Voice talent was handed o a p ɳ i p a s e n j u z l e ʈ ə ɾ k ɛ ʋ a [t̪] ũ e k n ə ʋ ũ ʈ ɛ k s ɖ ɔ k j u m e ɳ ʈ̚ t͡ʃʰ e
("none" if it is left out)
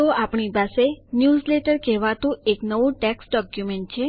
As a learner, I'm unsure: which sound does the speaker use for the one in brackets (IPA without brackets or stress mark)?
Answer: t̪